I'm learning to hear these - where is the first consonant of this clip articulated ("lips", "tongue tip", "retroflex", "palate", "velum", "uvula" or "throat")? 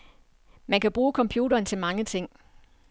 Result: lips